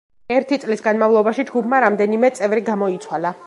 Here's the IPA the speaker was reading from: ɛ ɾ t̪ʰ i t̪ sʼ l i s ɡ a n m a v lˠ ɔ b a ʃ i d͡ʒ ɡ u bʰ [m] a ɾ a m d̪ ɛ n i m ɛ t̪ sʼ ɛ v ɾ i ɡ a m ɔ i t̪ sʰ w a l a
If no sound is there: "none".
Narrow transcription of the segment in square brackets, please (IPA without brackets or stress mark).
m